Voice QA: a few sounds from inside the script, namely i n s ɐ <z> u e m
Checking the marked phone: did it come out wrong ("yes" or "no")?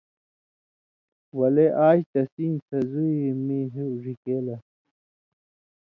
no